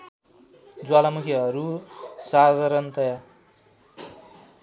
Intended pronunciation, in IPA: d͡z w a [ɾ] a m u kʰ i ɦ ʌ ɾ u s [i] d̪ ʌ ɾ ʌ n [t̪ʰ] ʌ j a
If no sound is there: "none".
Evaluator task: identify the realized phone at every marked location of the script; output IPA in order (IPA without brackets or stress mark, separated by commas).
l, a, t̪